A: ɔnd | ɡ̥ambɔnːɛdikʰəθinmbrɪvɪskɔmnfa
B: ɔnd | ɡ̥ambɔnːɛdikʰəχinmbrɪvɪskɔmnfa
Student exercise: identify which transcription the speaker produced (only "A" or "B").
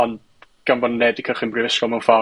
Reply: B